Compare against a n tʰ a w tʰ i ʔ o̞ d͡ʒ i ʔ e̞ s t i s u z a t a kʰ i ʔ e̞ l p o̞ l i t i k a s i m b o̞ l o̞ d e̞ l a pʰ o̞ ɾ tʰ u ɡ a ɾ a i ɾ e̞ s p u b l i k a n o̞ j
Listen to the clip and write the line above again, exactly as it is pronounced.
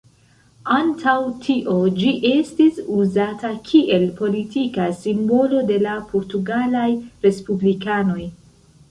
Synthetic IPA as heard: a n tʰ a w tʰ i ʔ o̞ d͡ʒ i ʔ e̞ s t i s u z a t a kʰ i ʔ e̞ l p o̞ l i t i k a s i m b o̞ l o̞ d e̞ l a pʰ o̞ ɾ t u ɡ a l a j ɾ e̞ s p u b l i k a n o̞ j

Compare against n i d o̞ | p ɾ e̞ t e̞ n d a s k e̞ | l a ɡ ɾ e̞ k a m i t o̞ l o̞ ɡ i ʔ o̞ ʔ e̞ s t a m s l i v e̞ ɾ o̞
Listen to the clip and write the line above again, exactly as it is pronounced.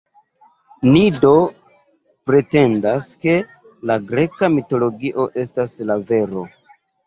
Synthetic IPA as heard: n i d o̞ | p ɾ e̞ t e̞ n d a s k e̞ | l a ɡ ɾ e̞ k a m i t o̞ l o̞ ɡ i ʔ o̞ ʔ e̞ s t a s l a v e̞ ɾ o̞

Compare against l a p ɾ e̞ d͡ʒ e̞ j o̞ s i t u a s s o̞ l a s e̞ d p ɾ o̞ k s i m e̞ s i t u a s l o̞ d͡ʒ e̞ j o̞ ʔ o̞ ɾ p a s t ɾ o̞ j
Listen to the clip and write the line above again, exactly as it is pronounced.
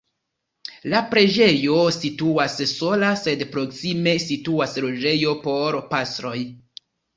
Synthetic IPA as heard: l a p ɾ e̞ d͡ʒ e̞ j o̞ s i t u a s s o̞ l a s e̞ d p ɾ o̞ k s i m e̞ s i t u a s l o̞ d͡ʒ e̞ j o̞ p o̞ ɾ p a s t ɾ o̞ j

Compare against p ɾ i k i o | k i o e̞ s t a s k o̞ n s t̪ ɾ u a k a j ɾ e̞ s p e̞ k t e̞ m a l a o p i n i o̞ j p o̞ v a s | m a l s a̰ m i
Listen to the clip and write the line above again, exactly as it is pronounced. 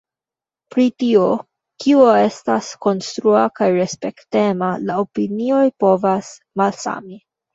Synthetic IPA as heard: p ɾ i t i o | k i o e̞ s t a s k o̞ n s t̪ ɾ u a k a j ɾ e̞ s p e̞ k t e̞ m a l a o p i n i o̞ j p o̞ v a s | m a l s a̰ m i

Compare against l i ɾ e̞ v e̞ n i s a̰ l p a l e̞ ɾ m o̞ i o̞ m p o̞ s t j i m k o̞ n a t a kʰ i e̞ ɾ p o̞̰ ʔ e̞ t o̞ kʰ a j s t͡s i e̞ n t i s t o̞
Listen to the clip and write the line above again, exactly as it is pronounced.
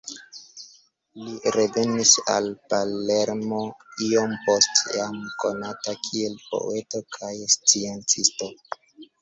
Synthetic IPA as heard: l i ɾ e̞ v e̞ n i s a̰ l p a l e̞ ɾ m o̞ i o̞ m p o̞ s t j a m k o̞ n a t a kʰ i e̞ l p o̞̰ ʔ e̞ t o̞ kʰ a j s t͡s i e̞ n t͡s i s t o̞

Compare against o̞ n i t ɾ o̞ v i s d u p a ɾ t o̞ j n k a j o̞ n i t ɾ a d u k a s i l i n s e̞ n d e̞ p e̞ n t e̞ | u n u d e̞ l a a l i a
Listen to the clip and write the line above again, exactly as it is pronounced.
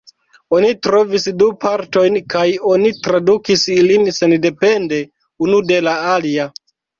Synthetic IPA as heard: o̞ n i t ɾ o̞ v i s d u p a ɾ t o̞ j n k a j o̞ n i t ɾ a d u k i s i l i n s e̞ n d e̞ p e̞ n d e̞ | u n u d e̞ l a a l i a

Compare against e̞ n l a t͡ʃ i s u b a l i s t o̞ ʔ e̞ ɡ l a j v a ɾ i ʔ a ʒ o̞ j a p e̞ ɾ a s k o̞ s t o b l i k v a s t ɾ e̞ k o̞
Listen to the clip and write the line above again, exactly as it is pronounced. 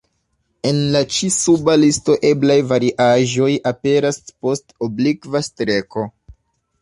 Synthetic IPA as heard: e̞ n l a t͡ʃ i s u b a l i s t o̞ ʔ e̞ b l a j v a ɾ i ʔ a ʒ o̞ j a p e̞ ɾ a s p o̞ s t o b l i k v a s t ɾ e̞ k o̞

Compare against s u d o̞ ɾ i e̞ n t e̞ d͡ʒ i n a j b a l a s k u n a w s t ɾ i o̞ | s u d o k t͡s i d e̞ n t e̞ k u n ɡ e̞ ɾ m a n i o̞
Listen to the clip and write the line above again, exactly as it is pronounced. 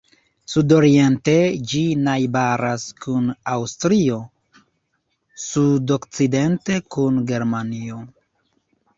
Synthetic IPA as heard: s u d o̞ ɾ i e̞ n t e̞ d͡ʒ i n a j b a ɾ a s k u n a w s t ɾ i o̞ | s u d o k t͡s i d e̞ n t e̞ k u n ɡ e̞ ɾ m a n i o̞

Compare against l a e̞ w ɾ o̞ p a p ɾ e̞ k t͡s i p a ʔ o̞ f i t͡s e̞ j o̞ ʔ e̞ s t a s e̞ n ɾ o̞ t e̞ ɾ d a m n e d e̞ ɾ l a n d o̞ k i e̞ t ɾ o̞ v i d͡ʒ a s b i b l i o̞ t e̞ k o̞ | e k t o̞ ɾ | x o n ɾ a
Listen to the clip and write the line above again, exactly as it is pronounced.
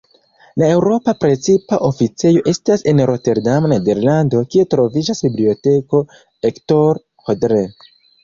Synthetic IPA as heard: l a e̞ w ɾ o̞ p a p ɾ e̞ t͡s i p a ʔ o̞ f i t͡s e̞ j o̞ ʔ e̞ s t a s e̞ n ɾ o̞ t e̞ ɾ d a m n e d e̞ ɾ l a n d o̞ k i e̞ t ɾ o̞ v i d͡ʒ a s b i b l i o̞ t e̞ k o̞ | e k t o̞ ɾ | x o d ɾ e

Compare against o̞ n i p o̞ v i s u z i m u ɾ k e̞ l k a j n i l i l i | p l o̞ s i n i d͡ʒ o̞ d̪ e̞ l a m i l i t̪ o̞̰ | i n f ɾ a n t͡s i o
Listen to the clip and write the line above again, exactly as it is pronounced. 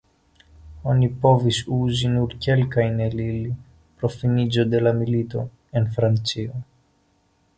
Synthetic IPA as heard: o̞ n i p o̞ v i s u z i n u ɾ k e̞ l k a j n e l i l i | p ɾ o̞ f i n i d͡ʒ o̞ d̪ e̞ l a m i l i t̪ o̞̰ | e n f ɾ a n t͡s i o

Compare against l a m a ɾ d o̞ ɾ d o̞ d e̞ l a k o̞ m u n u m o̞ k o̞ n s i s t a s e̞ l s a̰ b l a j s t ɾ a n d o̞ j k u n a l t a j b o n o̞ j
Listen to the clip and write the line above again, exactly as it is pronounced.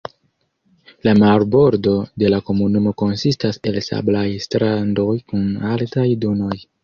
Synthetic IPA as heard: l a m a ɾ b o̞ ɾ d o̞ d e̞ l a k o̞ m u n u m o̞ k o̞ n s i s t a s e̞ l s a̰ b l a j s t ɾ a n d o̞ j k u n a l t a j d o n o̞ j

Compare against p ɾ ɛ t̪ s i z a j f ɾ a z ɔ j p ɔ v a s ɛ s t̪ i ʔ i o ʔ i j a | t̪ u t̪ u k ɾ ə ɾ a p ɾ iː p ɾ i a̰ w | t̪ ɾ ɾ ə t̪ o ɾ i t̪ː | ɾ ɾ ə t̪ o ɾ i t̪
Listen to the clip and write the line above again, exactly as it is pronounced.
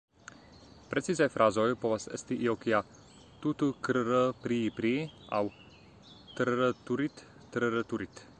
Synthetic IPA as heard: p ɾ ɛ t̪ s i z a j f ɾ a z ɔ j p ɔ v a s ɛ s t̪ i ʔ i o k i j a | t̪ u t̪ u k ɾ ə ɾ ə p ɾ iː p ɾ i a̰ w | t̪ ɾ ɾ ə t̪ u ɾ i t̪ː | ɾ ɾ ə t̪ u ɾ i t̪

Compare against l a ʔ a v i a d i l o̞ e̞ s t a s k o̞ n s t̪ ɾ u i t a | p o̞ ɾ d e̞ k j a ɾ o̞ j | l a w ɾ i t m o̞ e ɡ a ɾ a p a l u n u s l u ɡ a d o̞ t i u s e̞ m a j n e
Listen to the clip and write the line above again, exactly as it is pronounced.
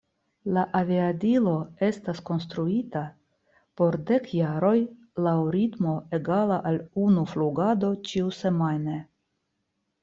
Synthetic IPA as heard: l a ʔ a v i a d i l o̞ e̞ s t a s k o̞ n s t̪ ɾ u i t a | p o̞ ɾ d e̞ k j a ɾ o̞ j | l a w ɾ i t m o̞ e ɡ a l a ʔ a l u n u f l u ɡ a d o̞ t͡ʃ i u s e̞ m a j n e

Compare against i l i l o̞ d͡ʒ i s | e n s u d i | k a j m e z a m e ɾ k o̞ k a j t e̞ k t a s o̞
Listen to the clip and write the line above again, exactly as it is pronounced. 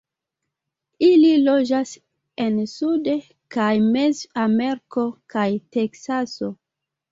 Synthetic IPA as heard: i l i l o̞ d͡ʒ a s | e n s u d e | k a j m e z a m e ɾ k o̞ k a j t e̞ k s a s o̞

